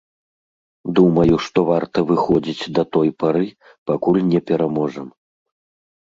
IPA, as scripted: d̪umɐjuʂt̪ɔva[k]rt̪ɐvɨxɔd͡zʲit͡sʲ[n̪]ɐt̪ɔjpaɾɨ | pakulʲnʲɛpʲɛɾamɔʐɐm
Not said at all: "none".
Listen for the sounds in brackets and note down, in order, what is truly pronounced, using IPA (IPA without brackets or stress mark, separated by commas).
none, d̪